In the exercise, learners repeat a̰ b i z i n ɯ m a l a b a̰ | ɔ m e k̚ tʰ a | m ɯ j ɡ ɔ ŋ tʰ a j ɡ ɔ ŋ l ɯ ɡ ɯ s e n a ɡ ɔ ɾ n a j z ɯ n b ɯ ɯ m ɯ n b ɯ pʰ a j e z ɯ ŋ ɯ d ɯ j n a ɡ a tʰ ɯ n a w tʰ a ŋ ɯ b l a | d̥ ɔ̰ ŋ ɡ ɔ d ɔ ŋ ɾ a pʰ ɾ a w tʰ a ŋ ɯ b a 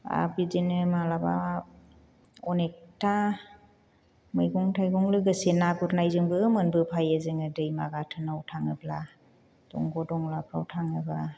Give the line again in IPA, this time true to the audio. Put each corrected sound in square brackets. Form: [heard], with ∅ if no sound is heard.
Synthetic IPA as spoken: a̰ b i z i n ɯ m a l a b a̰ | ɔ [n] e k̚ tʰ a | m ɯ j ɡ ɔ ŋ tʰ a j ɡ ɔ ŋ l ɯ ɡ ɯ s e n a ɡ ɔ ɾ n a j z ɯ [ŋ] b ɯ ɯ m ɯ n b ɯ pʰ a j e z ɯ ŋ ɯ d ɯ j [m] a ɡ a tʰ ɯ n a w tʰ a ŋ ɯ b l a | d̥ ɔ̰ ŋ ɡ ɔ d ɔ ŋ [l] a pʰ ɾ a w tʰ a ŋ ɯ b a

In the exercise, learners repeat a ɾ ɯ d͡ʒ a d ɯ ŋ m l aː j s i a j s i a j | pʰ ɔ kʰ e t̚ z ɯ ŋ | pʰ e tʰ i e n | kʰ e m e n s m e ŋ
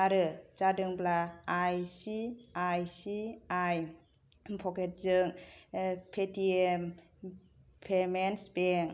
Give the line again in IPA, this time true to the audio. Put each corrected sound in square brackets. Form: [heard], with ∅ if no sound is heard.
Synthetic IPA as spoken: a ɾ ɯ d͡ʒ a d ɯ ŋ [b] l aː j s i a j s i a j | pʰ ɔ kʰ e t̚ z ɯ ŋ | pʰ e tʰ i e [m] | [pʰ] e m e n s [b] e ŋ

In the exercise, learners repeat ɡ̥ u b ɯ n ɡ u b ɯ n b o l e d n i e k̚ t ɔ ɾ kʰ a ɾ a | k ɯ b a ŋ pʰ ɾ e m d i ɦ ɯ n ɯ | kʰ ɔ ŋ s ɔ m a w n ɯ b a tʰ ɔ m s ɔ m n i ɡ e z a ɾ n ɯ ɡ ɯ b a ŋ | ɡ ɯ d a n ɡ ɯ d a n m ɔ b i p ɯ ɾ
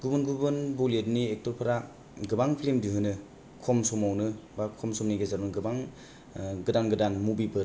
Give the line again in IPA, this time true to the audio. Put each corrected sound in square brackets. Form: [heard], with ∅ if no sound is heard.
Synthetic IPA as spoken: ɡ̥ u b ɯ n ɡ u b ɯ n b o l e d n i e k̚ t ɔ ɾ [pʰ] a ɾ a | [ɡ] ɯ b a ŋ pʰ [l] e m d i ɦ ɯ n ɯ | kʰ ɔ [m] s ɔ m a w n ɯ b a [kʰ] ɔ m s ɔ m n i ɡ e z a ɾ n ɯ ɡ ɯ b a ŋ | ɡ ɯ d a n ɡ ɯ d a n m [u] b i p ɯ ɾ

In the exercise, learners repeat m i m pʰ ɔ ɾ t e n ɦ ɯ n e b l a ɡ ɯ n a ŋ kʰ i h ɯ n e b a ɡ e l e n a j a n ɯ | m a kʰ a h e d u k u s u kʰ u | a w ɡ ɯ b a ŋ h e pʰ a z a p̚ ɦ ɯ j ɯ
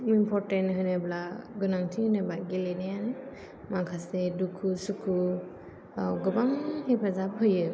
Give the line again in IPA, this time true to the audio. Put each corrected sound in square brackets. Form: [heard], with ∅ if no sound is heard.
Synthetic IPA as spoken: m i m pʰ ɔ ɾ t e n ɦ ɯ n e b l a ɡ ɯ n a ŋ [tʰ] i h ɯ n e b a ɡ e l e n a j a n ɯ | m a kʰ a [s] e d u [kʰ] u s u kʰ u | a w ɡ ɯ b a ŋ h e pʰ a z a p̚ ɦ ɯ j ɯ

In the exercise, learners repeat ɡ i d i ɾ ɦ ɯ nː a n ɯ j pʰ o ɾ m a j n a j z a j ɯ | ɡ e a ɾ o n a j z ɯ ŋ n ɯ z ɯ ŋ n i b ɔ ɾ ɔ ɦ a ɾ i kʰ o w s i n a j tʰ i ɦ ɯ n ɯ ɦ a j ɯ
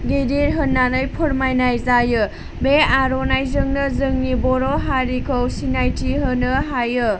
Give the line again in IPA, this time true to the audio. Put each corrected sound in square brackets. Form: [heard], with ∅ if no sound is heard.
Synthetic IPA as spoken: ɡ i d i ɾ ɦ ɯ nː a n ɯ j pʰ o ɾ m a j n a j z a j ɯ | [b] e a ɾ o n a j z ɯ ŋ n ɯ z ɯ ŋ n i b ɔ ɾ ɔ ɦ a ɾ i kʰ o w s i n a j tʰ i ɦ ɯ n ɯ ɦ a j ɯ

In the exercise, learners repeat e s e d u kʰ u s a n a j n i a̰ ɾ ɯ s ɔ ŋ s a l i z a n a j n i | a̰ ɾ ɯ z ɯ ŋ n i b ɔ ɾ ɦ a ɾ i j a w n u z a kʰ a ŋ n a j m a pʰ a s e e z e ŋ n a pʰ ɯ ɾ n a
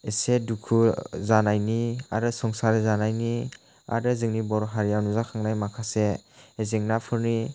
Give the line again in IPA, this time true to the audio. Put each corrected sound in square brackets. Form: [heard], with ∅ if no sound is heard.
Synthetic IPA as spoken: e s e d u kʰ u [z] a n a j n i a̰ ɾ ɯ s ɔ ŋ s a [ɾ] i z a n a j n i | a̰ ɾ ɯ z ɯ ŋ n i b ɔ ɾ ɦ a ɾ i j a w n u z a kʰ a ŋ n a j m a [kʰ] a s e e z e ŋ n a pʰ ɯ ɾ n [i]

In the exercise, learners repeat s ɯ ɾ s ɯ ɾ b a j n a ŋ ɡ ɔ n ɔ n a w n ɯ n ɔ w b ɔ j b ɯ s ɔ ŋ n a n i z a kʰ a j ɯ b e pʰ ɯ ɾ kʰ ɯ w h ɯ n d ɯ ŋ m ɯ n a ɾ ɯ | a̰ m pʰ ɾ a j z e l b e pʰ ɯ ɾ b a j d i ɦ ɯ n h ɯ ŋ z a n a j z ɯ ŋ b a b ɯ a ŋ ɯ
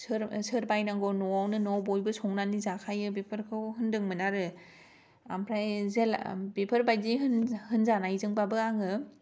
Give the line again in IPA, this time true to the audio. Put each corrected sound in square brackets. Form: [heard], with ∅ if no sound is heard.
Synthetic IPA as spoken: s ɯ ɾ s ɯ ɾ b a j n a ŋ ɡ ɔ n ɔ [∅] a w n ɯ n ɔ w b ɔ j b ɯ s ɔ ŋ n a n i z a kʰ a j ɯ b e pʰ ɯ ɾ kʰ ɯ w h ɯ n d ɯ ŋ m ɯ n a ɾ ɯ | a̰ m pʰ ɾ a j z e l b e pʰ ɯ ɾ b a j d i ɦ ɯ n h ɯ [n] z a n a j z ɯ ŋ b a b ɯ a ŋ ɯ

